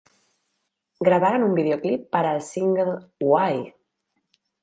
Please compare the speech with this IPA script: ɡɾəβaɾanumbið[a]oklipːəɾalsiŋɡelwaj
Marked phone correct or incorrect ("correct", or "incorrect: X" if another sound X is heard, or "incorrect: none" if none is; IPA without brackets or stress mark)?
incorrect: e